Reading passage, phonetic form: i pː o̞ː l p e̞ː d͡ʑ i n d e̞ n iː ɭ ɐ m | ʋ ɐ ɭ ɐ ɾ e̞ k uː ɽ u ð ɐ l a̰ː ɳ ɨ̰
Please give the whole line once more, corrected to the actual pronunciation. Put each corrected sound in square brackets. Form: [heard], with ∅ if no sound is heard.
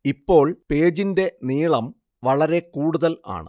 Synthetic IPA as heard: i pː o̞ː [ɭ] p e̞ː d͡ʑ i n d e̞ n iː ɭ ɐ m | ʋ ɐ ɭ ɐ ɾ e̞ k uː ɽ u ð ɐ l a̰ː ɳ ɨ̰